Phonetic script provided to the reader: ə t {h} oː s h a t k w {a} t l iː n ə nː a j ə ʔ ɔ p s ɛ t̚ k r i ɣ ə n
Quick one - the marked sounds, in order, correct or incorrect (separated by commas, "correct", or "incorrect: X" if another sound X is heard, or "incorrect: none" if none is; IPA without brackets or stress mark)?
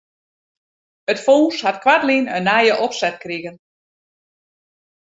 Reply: incorrect: f, correct